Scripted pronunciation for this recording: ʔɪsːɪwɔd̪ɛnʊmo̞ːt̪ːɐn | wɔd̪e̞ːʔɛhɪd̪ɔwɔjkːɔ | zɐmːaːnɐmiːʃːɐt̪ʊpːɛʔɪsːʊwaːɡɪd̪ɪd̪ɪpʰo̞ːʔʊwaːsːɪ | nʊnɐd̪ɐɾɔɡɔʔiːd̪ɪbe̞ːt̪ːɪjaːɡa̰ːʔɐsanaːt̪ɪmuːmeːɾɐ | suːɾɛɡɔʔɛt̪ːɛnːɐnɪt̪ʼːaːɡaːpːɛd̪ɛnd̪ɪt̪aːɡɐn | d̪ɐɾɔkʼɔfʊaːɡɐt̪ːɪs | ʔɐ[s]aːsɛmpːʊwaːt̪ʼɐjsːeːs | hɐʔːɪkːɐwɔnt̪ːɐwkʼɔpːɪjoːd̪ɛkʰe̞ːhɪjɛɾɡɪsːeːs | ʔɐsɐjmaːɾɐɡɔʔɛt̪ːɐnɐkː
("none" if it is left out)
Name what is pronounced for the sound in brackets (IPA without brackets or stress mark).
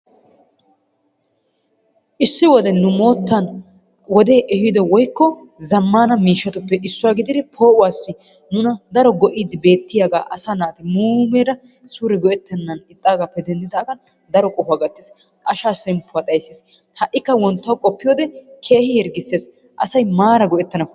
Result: ʃ